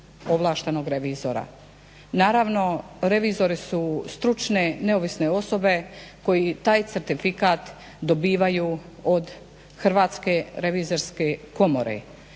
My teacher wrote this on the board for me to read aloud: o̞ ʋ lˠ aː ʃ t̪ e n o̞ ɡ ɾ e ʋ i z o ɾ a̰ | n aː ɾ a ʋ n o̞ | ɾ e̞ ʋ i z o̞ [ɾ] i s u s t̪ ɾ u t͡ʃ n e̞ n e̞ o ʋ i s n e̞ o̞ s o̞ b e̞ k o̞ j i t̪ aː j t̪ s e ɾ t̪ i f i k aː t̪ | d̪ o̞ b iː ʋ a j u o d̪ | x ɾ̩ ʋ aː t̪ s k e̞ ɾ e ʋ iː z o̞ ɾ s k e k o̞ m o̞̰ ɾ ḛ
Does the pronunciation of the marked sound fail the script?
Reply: no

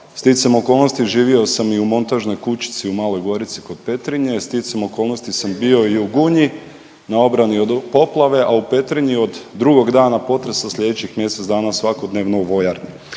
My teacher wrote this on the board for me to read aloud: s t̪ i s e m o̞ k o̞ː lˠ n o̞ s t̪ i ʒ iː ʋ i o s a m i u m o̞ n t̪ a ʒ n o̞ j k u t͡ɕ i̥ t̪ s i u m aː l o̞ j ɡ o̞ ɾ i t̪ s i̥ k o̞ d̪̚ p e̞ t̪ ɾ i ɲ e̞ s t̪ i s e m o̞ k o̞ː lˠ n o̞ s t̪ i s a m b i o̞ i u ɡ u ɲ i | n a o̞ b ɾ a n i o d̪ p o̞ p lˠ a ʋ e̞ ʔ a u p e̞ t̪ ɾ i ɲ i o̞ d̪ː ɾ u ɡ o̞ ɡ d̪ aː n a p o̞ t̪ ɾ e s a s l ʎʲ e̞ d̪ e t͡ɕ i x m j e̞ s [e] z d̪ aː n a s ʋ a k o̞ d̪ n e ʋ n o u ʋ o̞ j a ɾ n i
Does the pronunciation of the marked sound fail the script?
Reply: no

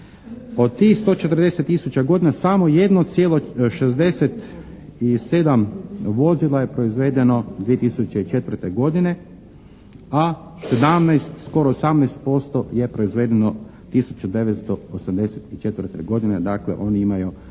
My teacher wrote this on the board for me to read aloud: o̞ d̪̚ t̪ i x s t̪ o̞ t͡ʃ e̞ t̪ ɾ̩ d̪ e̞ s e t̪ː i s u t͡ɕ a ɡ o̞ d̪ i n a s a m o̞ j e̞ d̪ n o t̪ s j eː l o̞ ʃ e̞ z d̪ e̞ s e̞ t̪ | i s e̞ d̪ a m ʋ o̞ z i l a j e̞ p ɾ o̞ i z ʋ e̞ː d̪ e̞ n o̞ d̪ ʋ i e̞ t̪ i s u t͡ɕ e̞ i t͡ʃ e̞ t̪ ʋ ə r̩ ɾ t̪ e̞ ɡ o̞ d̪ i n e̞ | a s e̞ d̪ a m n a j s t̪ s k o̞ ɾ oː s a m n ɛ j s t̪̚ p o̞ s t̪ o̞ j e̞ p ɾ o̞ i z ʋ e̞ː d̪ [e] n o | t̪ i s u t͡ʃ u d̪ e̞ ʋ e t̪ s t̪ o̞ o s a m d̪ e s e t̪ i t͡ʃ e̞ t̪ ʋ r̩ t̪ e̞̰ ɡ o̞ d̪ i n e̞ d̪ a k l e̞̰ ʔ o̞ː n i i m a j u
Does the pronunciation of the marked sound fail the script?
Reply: no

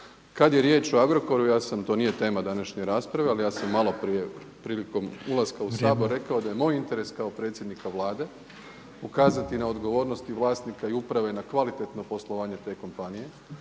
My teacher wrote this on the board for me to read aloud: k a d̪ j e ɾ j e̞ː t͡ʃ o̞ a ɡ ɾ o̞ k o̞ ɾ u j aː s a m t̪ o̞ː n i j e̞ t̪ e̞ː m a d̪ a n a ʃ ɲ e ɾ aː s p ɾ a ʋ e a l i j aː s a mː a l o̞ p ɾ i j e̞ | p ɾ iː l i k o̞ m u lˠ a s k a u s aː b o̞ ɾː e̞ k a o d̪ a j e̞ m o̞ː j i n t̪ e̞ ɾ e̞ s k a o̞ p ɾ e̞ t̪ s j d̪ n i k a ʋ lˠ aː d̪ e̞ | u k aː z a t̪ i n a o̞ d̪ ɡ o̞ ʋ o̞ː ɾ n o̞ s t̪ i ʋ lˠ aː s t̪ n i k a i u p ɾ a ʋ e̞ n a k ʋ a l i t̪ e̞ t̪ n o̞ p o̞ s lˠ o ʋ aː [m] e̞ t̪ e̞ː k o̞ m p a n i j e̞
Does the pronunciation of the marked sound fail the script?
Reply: yes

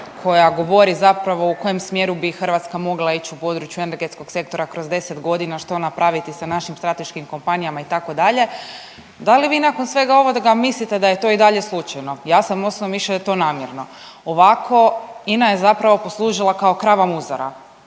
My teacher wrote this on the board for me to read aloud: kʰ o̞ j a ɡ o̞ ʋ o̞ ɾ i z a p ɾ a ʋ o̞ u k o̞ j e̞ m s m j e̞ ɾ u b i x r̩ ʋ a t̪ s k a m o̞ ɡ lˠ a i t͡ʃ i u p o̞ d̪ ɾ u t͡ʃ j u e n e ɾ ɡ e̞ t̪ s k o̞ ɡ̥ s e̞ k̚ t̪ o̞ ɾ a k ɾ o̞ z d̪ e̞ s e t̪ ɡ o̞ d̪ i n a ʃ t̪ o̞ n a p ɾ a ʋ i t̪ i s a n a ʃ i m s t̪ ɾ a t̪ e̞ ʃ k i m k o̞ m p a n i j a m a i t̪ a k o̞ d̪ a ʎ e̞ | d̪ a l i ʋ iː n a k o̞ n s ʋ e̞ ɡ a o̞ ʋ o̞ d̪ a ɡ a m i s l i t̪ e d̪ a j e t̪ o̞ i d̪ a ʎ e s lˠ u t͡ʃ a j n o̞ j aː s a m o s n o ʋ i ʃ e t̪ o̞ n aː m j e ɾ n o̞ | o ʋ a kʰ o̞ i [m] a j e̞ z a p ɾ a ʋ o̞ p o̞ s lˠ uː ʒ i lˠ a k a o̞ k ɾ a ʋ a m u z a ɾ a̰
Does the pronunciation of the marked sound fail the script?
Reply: yes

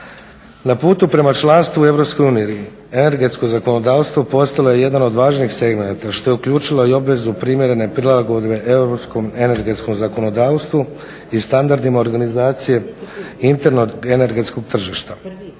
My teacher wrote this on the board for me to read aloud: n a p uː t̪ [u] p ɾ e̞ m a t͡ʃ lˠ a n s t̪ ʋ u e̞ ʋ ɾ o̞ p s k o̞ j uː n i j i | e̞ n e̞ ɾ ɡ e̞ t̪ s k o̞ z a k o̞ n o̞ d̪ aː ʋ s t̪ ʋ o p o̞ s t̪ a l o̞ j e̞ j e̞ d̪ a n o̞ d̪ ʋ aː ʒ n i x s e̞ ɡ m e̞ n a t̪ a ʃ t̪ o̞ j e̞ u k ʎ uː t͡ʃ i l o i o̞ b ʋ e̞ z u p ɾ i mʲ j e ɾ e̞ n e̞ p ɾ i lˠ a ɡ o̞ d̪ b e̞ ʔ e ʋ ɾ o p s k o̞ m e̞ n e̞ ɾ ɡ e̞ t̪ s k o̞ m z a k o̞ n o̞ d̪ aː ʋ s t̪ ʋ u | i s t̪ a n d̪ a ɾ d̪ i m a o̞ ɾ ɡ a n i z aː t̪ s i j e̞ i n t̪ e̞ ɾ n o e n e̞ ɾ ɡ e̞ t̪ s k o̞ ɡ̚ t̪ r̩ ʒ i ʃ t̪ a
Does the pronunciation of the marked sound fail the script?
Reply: no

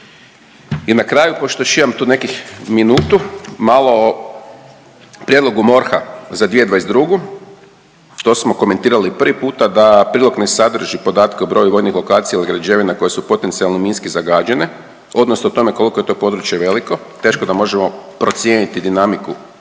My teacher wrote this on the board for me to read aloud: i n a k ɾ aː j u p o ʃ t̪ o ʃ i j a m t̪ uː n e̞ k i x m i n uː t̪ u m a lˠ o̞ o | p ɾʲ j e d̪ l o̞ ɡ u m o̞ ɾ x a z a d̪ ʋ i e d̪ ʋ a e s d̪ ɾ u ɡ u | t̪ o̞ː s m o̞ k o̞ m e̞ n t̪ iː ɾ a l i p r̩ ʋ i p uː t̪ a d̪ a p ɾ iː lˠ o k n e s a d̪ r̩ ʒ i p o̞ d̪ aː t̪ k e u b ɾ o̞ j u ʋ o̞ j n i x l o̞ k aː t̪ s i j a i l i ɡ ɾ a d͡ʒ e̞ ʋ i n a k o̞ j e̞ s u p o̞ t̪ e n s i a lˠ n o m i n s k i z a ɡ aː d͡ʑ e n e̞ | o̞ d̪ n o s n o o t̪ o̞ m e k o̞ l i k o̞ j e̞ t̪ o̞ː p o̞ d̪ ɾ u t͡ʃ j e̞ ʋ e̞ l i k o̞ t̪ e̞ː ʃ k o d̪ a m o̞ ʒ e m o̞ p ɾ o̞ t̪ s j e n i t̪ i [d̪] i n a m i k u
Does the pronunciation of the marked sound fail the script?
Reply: no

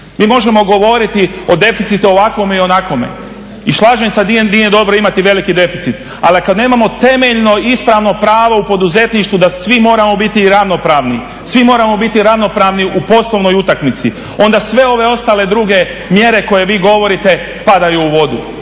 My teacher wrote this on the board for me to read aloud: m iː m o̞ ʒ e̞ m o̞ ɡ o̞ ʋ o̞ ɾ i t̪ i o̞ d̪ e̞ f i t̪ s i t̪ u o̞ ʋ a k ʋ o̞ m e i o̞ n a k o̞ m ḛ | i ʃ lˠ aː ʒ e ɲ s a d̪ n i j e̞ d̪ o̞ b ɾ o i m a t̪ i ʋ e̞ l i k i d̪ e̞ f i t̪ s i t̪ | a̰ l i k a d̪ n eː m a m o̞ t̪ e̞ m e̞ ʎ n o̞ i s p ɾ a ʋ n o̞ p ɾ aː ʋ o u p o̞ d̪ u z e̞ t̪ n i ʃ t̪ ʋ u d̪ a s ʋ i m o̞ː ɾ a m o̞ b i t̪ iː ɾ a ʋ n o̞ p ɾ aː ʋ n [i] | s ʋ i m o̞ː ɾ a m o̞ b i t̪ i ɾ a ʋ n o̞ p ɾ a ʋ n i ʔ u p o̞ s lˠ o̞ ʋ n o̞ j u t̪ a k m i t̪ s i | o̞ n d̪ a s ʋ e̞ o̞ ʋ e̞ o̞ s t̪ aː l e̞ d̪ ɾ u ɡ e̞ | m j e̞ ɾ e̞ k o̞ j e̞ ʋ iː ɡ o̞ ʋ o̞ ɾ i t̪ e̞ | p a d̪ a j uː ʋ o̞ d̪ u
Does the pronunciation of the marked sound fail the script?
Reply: no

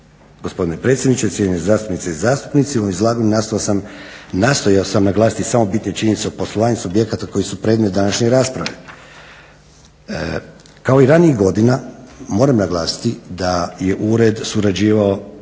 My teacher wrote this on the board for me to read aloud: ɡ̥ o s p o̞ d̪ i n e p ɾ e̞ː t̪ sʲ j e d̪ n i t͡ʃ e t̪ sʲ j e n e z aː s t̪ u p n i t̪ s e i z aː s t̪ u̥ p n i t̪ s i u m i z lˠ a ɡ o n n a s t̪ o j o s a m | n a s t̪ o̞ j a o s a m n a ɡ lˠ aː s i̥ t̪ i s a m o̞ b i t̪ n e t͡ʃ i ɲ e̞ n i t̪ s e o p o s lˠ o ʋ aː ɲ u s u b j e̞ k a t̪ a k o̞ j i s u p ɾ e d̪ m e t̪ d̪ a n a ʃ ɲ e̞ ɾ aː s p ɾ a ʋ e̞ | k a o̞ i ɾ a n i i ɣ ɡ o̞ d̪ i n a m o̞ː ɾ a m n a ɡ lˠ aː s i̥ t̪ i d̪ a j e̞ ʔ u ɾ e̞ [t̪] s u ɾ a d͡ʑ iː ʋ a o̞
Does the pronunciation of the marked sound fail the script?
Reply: yes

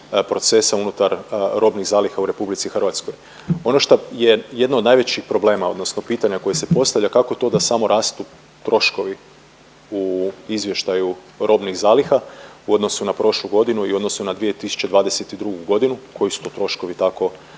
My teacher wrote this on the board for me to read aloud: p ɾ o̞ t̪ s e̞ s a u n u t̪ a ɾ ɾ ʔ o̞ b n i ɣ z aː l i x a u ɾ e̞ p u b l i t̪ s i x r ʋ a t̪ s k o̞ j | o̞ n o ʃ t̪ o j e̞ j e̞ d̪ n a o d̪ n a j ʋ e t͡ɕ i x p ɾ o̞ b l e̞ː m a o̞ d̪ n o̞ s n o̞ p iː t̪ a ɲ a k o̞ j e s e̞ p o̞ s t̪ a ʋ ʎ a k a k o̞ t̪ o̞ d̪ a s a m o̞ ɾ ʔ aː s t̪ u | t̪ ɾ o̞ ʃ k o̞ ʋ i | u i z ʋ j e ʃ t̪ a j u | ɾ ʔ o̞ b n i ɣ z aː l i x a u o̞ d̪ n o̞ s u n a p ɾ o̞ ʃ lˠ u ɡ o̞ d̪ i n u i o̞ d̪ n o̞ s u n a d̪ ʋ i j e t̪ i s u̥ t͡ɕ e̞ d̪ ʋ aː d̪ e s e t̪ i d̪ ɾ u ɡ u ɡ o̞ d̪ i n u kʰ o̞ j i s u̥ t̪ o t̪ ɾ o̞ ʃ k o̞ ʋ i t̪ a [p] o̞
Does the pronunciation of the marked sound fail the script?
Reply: yes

